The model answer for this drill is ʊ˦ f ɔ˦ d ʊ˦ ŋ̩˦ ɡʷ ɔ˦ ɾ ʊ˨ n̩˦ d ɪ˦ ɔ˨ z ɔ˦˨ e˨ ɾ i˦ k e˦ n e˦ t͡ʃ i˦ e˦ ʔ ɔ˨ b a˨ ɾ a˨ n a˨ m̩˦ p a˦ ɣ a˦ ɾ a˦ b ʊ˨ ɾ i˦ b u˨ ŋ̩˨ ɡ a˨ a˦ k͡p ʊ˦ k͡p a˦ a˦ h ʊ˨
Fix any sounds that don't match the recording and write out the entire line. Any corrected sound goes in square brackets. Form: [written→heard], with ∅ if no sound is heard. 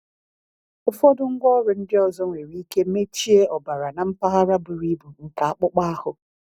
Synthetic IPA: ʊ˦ f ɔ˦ d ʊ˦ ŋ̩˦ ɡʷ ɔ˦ ɾ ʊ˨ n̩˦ d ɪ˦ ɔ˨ z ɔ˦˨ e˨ ɾ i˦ k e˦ [n→m] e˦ t͡ʃ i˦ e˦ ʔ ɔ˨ b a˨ ɾ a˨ n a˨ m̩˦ p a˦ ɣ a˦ ɾ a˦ b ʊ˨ ɾ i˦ b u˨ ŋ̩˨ [ɡ→k] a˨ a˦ k͡p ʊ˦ k͡p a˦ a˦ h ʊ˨